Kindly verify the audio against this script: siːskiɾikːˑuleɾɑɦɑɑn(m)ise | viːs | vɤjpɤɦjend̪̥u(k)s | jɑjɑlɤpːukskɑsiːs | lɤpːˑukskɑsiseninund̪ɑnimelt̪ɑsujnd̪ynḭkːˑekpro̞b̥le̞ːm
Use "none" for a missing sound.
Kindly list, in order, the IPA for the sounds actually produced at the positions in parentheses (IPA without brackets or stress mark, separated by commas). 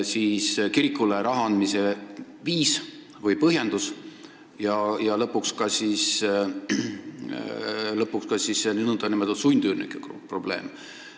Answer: m, none